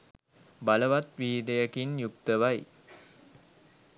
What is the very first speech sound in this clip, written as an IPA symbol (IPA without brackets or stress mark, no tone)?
b